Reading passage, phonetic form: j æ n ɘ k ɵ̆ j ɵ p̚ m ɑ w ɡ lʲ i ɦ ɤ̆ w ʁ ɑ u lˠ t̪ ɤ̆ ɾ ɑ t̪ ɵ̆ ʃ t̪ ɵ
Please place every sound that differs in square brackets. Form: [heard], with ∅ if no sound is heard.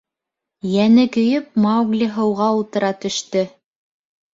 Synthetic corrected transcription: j æ n ɘ k ɵ̆ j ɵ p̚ m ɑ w ɡ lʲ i ɦ ɤ̆ w ʁ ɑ u lˠ t̪ ɤ̆ ɾ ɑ t̪ ɵ̆ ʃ t̪ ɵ